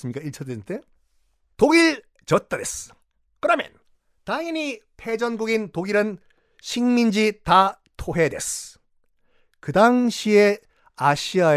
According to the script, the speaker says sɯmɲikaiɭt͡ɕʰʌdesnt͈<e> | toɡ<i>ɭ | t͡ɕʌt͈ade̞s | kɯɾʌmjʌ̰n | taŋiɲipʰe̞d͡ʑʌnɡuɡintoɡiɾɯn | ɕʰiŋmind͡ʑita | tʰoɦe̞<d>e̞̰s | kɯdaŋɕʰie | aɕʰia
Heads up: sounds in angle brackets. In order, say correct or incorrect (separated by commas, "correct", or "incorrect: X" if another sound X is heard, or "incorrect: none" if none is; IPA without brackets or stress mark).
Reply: correct, correct, correct